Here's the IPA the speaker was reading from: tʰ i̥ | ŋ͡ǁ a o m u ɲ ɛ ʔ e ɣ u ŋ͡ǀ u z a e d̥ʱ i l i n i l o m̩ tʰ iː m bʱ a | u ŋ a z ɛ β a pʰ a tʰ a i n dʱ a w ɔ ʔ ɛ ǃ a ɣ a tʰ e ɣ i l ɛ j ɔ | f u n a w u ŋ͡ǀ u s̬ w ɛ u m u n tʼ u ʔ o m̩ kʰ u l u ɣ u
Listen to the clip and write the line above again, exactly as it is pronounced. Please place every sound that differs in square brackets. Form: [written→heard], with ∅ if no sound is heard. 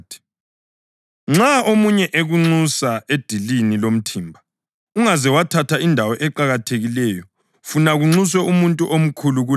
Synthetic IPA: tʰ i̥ | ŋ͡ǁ a o m u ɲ ɛ ʔ e ɣ u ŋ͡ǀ u [z→s] a e d̥ʱ i l i n i l o m̩ tʰ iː m bʱ a | u ŋ a z ɛ [β→w] a [pʰ→tʰ] a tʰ a i n dʱ a w ɔ ʔ ɛ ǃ a ɣ a tʰ e ɣ i l ɛ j ɔ | f u n a [w→ɣ] u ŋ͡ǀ u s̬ w ɛ u m u n tʼ u ʔ o m̩ kʰ u l u ɣ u